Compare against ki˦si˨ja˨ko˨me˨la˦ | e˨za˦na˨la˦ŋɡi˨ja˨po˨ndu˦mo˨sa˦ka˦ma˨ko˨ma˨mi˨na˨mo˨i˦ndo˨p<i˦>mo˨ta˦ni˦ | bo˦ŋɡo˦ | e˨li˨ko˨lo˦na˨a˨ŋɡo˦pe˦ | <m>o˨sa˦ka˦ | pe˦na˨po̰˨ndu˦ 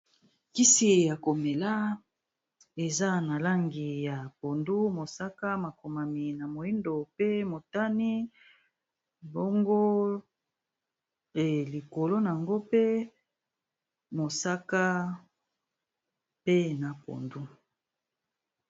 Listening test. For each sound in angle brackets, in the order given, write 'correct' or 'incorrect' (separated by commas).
incorrect, correct